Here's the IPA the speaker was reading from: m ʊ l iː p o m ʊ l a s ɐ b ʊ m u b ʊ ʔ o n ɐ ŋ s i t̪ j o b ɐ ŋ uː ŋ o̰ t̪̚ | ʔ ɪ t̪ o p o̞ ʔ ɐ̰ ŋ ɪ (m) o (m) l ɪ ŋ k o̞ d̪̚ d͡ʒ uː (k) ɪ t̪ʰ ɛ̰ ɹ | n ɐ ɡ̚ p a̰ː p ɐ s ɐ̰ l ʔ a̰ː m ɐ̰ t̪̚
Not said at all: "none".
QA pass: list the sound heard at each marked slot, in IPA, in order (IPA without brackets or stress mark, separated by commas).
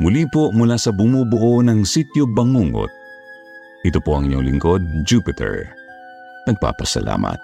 ɲ, ŋ, p